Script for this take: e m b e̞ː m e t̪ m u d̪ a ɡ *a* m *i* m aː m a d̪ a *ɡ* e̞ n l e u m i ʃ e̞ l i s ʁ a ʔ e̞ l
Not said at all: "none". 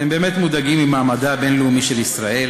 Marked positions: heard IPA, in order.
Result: i, i, b

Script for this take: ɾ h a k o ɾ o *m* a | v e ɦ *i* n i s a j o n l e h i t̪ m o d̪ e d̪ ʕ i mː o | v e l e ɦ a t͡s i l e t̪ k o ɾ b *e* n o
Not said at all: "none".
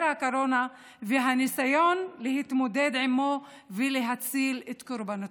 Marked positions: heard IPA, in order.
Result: n, a, a

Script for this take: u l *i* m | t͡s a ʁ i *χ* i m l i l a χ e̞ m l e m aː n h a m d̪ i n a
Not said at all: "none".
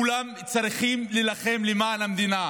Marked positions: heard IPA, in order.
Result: a, χ

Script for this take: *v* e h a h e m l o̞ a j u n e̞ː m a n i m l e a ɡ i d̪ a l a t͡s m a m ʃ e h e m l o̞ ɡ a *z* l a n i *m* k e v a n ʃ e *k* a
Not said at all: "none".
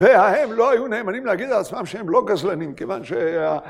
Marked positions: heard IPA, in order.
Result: v, z, m, none

